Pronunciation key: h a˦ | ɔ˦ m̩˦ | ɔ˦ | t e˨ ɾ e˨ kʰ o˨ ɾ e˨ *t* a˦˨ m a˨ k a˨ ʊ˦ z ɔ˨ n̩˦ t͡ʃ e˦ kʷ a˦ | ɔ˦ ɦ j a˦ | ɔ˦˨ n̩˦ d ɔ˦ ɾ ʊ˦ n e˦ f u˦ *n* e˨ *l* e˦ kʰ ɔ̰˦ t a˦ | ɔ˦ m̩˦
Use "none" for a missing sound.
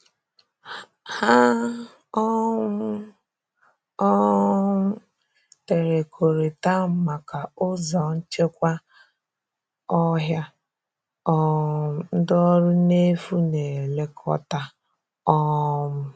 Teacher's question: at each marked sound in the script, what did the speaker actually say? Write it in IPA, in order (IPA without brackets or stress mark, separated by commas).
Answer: t, n, l